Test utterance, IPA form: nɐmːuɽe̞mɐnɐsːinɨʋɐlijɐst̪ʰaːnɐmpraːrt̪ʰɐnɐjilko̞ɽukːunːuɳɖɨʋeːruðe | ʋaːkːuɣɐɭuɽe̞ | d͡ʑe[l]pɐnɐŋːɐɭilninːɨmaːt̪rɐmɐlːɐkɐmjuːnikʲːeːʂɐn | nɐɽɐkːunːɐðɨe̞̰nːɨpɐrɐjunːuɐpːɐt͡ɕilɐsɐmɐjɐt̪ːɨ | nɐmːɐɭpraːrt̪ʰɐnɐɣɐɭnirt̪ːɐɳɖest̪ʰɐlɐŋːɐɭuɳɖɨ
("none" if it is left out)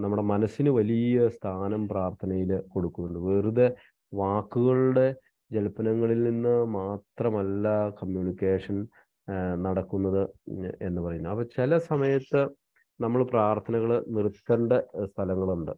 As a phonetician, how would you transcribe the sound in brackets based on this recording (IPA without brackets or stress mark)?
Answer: l